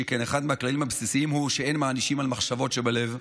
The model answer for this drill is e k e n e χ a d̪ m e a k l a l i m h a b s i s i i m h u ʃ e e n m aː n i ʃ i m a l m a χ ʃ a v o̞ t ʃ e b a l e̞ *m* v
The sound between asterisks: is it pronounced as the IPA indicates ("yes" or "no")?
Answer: no